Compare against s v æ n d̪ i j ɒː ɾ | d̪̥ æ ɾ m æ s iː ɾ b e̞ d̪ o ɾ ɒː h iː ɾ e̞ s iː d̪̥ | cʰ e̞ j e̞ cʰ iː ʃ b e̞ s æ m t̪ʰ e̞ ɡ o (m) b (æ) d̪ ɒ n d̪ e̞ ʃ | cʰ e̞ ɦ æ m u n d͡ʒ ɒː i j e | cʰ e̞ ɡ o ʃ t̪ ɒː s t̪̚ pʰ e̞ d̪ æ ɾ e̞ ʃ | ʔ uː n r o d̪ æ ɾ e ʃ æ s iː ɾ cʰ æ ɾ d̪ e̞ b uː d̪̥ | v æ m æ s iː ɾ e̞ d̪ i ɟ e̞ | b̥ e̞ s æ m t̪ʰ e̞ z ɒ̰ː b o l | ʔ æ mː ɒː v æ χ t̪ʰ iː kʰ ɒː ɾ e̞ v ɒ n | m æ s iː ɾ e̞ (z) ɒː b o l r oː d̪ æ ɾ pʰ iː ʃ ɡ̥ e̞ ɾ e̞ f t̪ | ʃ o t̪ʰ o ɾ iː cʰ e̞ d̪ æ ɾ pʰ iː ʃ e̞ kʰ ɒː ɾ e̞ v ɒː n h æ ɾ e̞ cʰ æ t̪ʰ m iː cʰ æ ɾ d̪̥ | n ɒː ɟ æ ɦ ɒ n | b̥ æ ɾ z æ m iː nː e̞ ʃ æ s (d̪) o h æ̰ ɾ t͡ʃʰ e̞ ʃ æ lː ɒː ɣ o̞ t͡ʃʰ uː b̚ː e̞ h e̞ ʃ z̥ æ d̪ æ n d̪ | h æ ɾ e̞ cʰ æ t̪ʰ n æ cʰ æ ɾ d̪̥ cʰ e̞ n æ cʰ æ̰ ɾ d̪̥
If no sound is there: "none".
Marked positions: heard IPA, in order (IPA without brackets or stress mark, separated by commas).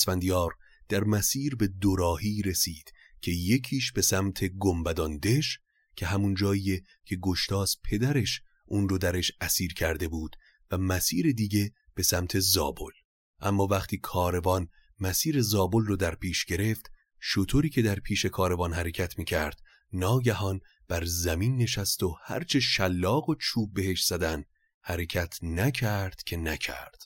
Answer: m, æ, z, t̪